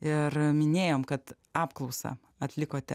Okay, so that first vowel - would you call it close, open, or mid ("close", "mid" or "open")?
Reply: close